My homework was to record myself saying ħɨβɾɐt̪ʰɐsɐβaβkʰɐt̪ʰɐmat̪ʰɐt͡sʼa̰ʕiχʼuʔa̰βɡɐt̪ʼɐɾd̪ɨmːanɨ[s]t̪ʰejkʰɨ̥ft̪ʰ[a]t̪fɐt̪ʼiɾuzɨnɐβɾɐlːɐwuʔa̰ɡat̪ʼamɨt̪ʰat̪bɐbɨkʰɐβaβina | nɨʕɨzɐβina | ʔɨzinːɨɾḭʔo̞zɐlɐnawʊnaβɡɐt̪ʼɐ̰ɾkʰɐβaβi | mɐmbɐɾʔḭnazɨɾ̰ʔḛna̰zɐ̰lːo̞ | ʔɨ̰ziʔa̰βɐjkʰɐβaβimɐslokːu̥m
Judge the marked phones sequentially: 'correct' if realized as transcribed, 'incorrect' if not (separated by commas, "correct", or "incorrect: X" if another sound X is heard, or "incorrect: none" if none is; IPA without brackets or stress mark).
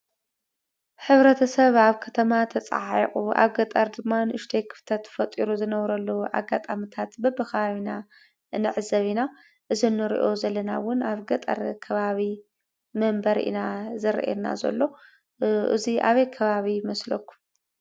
incorrect: ʃ, incorrect: ɐ